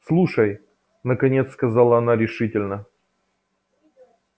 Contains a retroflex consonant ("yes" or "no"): yes